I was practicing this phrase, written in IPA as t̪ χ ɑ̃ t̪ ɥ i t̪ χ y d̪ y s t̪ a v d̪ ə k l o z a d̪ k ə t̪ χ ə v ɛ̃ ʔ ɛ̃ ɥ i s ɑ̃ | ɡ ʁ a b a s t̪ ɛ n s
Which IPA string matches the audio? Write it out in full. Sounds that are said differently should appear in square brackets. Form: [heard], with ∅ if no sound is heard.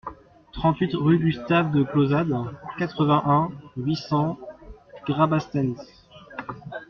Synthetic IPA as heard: t̪ χ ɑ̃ t̪ ɥ i t̪ [ʁ] y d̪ y s t̪ a v d̪ ə k l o z a d̪ k [a] t̪ χ ə v ɛ̃ ʔ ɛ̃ ɥ i s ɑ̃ | ɡ ʁ a b a s t̪ ɛ n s